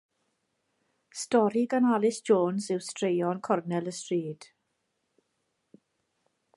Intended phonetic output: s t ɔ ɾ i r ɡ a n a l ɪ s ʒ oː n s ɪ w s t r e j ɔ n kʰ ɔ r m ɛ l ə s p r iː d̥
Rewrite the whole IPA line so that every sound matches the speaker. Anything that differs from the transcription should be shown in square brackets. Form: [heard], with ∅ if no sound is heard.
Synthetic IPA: s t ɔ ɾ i [∅] ɡ a n a l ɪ s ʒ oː n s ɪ w s t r e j ɔ n kʰ ɔ r [n] ɛ l ə s [t] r iː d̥